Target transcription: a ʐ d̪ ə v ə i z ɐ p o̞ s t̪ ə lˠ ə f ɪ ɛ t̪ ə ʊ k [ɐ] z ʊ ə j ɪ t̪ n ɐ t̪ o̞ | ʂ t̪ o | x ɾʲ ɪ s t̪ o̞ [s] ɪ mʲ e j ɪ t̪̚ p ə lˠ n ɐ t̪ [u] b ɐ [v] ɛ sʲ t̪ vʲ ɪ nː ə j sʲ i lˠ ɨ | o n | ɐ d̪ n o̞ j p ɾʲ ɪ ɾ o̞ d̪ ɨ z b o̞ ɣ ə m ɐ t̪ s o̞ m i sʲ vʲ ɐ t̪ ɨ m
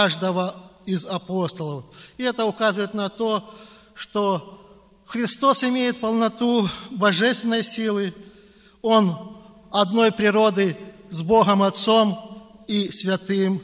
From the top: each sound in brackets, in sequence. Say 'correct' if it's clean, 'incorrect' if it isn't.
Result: incorrect: a, correct, correct, incorrect: ʐ

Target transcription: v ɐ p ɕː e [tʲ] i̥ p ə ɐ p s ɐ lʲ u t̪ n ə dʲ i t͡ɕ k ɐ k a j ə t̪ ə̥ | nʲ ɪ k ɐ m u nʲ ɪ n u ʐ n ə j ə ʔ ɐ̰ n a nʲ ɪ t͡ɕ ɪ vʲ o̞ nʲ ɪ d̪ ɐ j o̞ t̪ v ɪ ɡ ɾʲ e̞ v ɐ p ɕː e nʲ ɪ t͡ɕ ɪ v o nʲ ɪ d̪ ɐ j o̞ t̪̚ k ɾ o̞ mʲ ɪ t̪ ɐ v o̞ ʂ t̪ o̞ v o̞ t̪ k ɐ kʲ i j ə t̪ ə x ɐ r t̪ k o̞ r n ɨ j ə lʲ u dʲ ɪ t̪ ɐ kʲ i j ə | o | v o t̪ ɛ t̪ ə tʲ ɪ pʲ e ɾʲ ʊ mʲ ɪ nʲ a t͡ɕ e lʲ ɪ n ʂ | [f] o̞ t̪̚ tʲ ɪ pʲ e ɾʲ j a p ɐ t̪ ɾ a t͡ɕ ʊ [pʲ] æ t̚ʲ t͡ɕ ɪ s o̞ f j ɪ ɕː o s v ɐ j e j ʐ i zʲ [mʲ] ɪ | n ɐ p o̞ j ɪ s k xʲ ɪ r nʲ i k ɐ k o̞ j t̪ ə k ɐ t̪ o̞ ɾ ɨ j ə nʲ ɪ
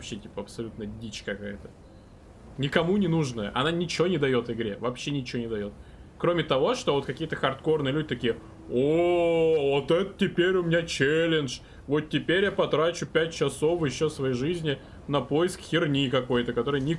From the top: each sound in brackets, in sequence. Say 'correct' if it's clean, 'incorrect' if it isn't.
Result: correct, incorrect: v, correct, incorrect: nʲ

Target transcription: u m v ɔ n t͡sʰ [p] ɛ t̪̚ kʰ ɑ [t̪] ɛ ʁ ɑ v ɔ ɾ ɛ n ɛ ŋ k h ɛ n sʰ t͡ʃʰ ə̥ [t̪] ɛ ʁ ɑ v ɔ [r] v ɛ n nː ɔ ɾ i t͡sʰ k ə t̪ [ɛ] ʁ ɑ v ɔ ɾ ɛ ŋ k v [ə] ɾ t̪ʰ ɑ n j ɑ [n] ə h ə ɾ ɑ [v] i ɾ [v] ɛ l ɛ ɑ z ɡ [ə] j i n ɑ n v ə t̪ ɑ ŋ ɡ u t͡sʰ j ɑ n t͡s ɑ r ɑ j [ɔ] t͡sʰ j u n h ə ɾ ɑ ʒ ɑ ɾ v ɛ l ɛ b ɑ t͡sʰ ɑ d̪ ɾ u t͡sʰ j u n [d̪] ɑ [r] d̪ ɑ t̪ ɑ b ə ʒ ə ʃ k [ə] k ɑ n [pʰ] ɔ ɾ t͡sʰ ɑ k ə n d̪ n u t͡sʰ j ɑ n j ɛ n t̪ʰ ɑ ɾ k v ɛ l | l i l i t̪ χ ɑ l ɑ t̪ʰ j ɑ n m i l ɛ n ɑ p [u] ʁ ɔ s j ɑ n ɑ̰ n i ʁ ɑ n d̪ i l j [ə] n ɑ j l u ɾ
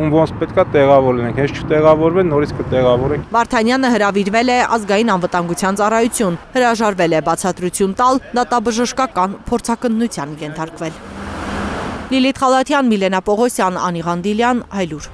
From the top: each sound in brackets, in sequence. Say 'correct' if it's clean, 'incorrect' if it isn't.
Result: correct, correct, correct, incorrect: ɾ, correct, incorrect: ɑ, correct, correct, correct, incorrect: ɑ, incorrect: u, incorrect: t̪, incorrect: l, incorrect: ɑ, correct, incorrect: ɔ, incorrect: ɑ

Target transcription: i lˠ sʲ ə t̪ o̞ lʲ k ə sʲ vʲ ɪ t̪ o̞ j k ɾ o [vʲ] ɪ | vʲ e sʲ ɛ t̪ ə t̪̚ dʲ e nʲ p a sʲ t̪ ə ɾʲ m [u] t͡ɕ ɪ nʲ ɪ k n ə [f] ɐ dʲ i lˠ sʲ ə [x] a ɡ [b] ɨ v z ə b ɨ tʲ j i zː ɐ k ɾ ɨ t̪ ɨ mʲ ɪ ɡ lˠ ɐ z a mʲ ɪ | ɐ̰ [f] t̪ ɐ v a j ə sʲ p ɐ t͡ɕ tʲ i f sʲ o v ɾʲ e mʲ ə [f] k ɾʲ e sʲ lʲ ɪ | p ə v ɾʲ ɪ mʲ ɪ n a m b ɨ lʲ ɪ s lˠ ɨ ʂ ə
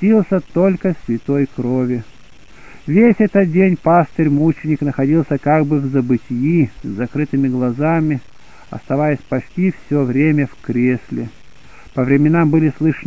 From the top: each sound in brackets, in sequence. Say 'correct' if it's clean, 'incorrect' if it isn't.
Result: correct, correct, incorrect: x, incorrect: k, correct, incorrect: s, correct

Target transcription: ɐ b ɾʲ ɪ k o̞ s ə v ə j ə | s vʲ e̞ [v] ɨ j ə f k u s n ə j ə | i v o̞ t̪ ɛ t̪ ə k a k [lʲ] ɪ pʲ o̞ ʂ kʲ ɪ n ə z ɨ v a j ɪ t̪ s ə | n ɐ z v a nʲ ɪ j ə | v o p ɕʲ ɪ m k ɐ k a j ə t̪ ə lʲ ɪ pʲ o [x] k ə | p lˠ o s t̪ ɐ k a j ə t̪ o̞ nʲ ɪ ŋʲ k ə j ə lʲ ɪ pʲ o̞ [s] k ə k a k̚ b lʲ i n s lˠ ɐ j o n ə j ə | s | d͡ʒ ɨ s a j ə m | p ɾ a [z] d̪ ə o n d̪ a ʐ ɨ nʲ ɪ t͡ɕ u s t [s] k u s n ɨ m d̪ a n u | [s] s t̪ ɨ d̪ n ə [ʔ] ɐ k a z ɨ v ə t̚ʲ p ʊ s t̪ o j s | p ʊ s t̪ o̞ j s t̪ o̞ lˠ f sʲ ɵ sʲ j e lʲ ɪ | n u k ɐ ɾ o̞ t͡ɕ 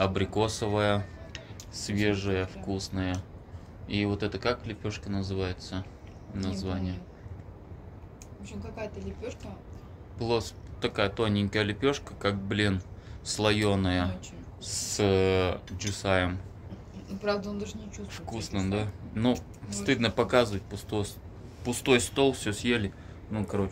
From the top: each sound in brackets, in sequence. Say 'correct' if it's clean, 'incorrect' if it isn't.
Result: incorrect: ʐ, correct, incorrect: ʂ, incorrect: ʂ, incorrect: v, incorrect: f, correct, incorrect: p

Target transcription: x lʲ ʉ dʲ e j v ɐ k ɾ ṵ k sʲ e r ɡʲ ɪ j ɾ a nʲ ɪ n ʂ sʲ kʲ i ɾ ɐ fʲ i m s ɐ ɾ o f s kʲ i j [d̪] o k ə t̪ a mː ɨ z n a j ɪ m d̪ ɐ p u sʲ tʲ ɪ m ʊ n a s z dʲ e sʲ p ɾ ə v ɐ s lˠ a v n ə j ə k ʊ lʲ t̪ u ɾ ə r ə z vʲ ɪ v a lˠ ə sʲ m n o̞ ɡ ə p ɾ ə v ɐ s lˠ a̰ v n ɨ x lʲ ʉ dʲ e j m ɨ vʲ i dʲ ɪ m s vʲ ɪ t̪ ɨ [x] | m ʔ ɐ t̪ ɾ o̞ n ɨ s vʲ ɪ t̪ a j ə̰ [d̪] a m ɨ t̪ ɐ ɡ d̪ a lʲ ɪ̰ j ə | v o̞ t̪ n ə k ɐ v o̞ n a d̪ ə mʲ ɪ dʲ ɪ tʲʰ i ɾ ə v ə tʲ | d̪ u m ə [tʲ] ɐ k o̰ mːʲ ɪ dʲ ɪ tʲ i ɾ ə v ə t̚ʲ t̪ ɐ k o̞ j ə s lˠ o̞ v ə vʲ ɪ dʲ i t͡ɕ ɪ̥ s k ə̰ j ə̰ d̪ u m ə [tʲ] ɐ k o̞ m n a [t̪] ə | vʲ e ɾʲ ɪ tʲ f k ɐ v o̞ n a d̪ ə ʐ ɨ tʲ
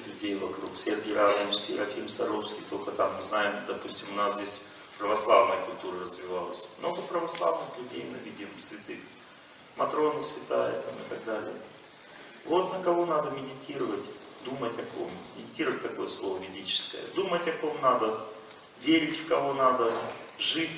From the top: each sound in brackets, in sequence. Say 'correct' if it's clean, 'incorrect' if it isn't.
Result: incorrect: t̪, correct, incorrect: t̪, correct, correct, incorrect: d̪

